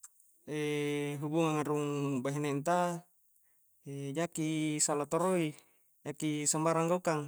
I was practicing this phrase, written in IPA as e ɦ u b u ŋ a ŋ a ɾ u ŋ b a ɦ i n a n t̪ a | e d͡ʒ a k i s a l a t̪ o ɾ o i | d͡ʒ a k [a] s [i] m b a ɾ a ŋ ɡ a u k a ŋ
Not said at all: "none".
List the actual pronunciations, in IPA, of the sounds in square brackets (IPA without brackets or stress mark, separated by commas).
i, a